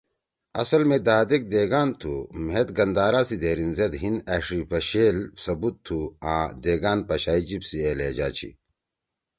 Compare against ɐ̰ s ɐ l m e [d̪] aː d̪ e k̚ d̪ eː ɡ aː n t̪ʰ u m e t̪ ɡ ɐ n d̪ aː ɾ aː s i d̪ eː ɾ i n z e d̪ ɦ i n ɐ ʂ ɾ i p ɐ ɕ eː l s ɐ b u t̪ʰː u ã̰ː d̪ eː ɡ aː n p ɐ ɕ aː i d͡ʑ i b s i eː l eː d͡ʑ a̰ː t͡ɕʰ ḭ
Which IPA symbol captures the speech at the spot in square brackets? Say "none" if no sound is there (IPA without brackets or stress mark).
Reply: d̪